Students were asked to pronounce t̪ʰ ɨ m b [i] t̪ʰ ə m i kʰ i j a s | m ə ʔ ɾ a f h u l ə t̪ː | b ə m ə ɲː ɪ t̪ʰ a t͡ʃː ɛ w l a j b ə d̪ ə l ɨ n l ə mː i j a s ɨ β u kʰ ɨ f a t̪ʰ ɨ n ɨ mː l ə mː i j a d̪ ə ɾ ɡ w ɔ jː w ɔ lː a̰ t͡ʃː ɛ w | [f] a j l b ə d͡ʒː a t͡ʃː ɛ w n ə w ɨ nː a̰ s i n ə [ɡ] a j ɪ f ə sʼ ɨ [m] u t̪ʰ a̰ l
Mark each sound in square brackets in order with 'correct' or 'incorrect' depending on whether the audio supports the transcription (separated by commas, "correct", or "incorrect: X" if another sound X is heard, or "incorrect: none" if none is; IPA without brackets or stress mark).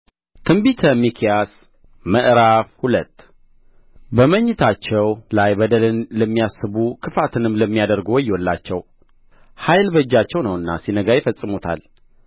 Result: correct, incorrect: h, correct, correct